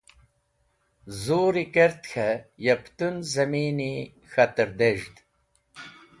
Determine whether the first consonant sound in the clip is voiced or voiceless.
voiced